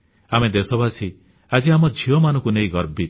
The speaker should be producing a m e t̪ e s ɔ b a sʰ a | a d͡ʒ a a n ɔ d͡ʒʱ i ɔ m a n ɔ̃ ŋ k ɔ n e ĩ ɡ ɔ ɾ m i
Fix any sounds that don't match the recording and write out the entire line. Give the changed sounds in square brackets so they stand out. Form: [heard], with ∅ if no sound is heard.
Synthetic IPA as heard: a m e [d̪] e s ɔ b a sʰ [i] | a d͡ʒ [i] a [m] ɔ d͡ʒʱ i ɔ m a n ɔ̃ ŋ k [u] n e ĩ ɡ ɔ ɾ [b] i

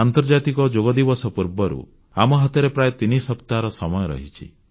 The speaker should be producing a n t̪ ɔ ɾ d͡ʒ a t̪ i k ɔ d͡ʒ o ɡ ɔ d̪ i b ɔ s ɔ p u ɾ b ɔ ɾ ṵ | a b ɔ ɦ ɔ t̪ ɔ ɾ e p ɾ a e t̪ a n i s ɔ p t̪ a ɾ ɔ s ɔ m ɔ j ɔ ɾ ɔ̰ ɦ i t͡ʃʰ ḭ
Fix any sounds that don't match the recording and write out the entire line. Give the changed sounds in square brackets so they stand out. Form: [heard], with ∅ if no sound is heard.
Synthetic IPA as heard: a n t̪ ɔ ɾ d͡ʒ a t̪ i k ɔ d͡ʒ o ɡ ɔ d̪ i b ɔ s ɔ p u ɾ b ɔ ɾ ṵ | a [m] ɔ ɦ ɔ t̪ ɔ ɾ e p ɾ a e t̪ [i] n i s ɔ p t̪ a ɾ ɔ s ɔ m ɔ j ɔ ɾ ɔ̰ ɦ i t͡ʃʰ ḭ

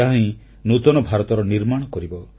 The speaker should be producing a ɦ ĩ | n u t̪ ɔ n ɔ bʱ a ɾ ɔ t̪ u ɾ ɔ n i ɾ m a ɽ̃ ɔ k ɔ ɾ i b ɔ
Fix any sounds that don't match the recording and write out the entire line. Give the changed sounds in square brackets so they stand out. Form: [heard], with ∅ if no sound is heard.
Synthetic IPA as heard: a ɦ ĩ | n u t̪ ɔ n ɔ bʱ a ɾ ɔ t̪ [ɔ] ɾ ɔ n i ɾ m a ɽ̃ ɔ k ɔ ɾ i b ɔ

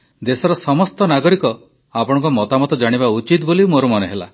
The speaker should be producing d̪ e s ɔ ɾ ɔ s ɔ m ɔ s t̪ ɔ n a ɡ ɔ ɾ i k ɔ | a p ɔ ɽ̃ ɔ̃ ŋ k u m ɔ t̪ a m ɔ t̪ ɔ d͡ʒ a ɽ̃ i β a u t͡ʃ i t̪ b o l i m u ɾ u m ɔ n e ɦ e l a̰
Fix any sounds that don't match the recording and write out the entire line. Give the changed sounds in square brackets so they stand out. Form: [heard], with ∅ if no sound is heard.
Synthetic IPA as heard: d̪ e s ɔ ɾ ɔ s ɔ m ɔ s t̪ ɔ n a ɡ ɔ ɾ i k ɔ | a p ɔ ɽ̃ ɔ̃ ŋ k [ɔ] m ɔ t̪ a m ɔ t̪ ɔ d͡ʒ a ɽ̃ i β a u t͡ʃ i t̪ b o l i m [o] ɾ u m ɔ n e ɦ e l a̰

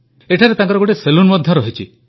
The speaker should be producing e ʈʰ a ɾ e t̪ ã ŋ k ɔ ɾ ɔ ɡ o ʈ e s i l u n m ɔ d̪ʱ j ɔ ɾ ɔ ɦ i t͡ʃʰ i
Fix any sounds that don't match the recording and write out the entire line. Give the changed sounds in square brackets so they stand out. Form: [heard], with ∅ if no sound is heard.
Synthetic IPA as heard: e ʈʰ a ɾ e t̪ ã ŋ k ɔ ɾ ɔ ɡ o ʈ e s [e] l u n m ɔ d̪ʱ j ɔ ɾ ɔ ɦ i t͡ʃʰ i

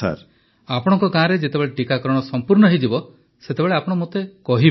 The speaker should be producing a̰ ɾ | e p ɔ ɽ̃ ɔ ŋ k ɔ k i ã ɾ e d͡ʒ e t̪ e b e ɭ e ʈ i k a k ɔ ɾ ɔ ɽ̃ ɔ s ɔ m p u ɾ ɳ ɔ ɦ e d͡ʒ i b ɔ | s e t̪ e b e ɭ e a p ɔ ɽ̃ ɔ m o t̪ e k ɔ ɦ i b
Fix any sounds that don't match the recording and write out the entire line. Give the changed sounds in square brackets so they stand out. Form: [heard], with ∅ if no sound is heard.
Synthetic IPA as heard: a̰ ɾ | [a] p ɔ ɽ̃ ɔ ŋ k ɔ k [a] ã ɾ e d͡ʒ e t̪ e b e ɭ e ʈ i k a k ɔ ɾ ɔ ɽ̃ ɔ s ɔ m p u ɾ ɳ ɔ ɦ e d͡ʒ i b ɔ | s e t̪ e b e ɭ e a p ɔ ɽ̃ ɔ m o t̪ e k ɔ ɦ i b

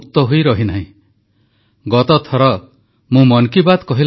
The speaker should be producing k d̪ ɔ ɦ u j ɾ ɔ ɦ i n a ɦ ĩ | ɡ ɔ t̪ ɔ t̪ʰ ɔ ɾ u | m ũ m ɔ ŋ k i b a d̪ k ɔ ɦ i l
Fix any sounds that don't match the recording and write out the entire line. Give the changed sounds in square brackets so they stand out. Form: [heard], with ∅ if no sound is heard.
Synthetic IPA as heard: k [t̪] ɔ ɦ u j ɾ ɔ ɦ i n a ɦ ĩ | ɡ ɔ t̪ ɔ t̪ʰ ɔ ɾ [ɔ] | m ũ m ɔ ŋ k i b a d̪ k ɔ ɦ i l

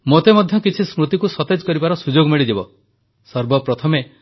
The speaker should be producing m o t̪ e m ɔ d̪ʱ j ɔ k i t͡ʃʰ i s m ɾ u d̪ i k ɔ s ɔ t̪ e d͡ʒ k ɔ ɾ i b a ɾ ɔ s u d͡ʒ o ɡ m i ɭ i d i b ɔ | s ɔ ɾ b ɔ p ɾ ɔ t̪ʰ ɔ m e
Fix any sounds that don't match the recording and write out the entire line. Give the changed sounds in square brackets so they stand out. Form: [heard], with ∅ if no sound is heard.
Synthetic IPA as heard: m o t̪ e m ɔ d̪ʱ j ɔ k i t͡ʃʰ i s m ɾ u [t̪] i k [u] s ɔ t̪ e d͡ʒ k ɔ ɾ i b a ɾ ɔ s u d͡ʒ o ɡ m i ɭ i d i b ɔ | s ɔ ɾ b ɔ p ɾ ɔ t̪ʰ ɔ m e

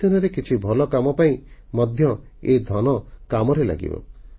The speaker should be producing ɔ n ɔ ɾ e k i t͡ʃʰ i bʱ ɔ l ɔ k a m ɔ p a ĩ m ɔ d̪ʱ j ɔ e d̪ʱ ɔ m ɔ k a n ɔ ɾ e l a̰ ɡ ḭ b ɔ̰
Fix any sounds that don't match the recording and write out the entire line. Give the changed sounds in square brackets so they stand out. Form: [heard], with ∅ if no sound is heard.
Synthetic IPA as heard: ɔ n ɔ ɾ e k i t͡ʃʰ i bʱ ɔ l ɔ k a m ɔ p a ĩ m ɔ d̪ʱ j ɔ e d̪ʱ ɔ [n] ɔ k a [m] ɔ ɾ e l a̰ ɡ ḭ b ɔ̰

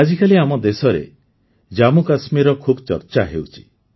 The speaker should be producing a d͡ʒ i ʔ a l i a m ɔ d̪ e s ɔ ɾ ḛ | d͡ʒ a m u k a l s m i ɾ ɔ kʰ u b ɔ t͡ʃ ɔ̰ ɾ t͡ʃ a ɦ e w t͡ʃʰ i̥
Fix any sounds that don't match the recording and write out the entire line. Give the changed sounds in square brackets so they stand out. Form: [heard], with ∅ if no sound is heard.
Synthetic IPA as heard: a d͡ʒ i [k] a l i a m ɔ d̪ e s ɔ ɾ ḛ | d͡ʒ a m u k a [∅] s m i ɾ ɔ kʰ u b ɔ t͡ʃ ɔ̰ ɾ t͡ʃ a ɦ e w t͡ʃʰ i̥

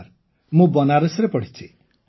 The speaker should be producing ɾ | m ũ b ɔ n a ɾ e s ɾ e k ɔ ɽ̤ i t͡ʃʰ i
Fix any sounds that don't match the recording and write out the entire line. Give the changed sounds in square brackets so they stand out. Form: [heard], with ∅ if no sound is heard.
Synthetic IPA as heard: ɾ | m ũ b ɔ n a ɾ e s ɾ e [p] ɔ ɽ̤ i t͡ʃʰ i

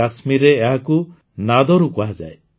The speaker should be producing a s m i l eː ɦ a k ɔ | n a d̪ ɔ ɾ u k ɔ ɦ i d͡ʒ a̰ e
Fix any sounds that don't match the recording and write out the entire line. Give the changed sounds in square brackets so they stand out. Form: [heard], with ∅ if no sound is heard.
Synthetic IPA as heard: a s m i [ɾ] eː ɦ a k [u] | n a d̪ ɔ ɾ u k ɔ ɦ [a] d͡ʒ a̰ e

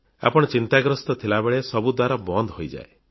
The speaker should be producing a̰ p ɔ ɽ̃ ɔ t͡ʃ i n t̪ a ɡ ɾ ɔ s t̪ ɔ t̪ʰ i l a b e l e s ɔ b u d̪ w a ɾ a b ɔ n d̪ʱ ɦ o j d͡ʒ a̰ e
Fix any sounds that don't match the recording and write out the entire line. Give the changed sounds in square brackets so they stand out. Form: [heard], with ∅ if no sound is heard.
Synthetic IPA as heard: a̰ p ɔ ɽ̃ ɔ t͡ʃ i n t̪ a ɡ ɾ ɔ s t̪ ɔ t̪ʰ i l a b e [ɭ] e s ɔ b u d̪ w a ɾ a b ɔ n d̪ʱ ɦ o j d͡ʒ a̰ e

